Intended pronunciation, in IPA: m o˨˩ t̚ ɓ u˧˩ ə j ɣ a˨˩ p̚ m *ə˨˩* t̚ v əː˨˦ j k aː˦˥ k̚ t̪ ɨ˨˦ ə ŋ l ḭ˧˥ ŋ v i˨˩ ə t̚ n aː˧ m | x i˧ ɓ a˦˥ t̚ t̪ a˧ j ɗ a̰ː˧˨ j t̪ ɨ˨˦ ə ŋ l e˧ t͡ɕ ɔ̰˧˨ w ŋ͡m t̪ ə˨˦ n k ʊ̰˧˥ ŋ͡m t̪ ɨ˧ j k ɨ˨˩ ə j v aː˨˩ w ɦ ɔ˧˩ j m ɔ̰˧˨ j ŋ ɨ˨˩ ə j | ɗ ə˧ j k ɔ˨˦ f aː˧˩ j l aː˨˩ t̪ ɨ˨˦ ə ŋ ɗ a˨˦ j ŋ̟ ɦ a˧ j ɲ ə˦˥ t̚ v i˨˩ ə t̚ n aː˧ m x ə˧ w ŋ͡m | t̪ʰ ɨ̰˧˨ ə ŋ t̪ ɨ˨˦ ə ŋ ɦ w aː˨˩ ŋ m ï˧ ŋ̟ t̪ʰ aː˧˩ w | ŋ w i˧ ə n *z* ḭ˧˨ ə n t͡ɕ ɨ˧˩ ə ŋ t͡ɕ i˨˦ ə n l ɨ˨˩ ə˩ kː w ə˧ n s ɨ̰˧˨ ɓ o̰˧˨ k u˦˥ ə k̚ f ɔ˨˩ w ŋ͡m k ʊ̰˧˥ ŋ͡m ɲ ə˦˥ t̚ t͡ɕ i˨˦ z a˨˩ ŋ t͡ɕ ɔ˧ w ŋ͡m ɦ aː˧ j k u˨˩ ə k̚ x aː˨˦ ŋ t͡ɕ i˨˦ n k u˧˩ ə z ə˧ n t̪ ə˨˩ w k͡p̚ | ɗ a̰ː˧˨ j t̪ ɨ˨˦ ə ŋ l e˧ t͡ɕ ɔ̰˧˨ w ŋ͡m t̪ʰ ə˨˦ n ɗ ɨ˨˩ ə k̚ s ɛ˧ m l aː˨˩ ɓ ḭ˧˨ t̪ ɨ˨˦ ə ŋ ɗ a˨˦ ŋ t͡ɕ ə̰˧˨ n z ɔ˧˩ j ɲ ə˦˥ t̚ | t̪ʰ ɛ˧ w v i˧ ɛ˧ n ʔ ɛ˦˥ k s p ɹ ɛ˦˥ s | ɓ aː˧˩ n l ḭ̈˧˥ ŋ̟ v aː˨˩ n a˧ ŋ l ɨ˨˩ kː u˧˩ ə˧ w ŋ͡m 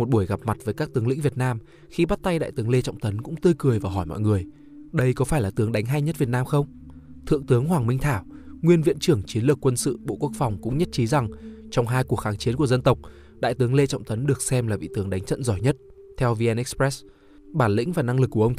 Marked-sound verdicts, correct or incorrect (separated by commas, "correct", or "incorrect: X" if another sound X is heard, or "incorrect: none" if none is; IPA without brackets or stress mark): incorrect: a˨˩, incorrect: v